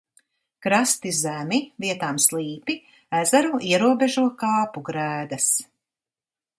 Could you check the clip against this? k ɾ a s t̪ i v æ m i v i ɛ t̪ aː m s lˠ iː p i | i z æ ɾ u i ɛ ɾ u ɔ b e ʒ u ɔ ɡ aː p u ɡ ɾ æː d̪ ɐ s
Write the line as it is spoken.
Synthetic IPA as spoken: k ɾ a s t̪ i z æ m i v i ɛ t̪ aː m s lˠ iː p i | æ z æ ɾ u i ɛ ɾ u ɔ b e ʒ u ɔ k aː p u ɡ ɾ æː d̪ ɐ s